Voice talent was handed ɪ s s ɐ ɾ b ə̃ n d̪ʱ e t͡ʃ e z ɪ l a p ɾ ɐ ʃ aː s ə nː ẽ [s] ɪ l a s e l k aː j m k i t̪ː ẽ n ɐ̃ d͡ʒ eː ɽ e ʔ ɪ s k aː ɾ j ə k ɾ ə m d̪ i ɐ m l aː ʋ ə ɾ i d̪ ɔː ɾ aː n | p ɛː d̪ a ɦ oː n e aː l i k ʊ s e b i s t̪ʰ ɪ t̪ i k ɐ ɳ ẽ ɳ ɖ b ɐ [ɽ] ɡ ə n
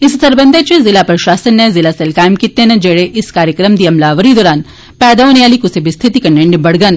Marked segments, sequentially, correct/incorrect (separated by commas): incorrect, correct